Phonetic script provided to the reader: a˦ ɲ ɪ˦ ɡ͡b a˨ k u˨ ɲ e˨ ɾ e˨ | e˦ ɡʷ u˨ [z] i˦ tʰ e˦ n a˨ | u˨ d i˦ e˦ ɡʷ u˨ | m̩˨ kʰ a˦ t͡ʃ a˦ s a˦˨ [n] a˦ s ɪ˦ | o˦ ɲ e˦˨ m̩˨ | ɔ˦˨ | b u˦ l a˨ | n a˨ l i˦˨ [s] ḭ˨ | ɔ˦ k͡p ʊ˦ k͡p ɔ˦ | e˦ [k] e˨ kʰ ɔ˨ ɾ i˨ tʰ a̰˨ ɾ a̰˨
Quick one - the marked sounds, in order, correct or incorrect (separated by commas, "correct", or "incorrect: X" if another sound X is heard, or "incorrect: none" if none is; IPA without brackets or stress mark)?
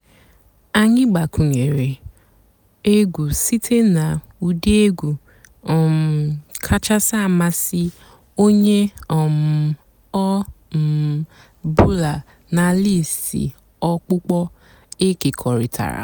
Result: incorrect: s, incorrect: m, correct, correct